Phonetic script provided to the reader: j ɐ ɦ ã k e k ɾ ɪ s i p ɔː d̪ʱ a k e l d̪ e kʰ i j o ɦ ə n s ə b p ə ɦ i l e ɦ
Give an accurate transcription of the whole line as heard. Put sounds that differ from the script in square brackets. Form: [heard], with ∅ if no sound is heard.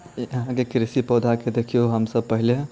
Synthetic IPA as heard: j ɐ ɦ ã k e k ɾ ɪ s i p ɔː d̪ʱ a k e [∅] d̪ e kʰ i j o ɦ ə [m] s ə b p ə ɦ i l e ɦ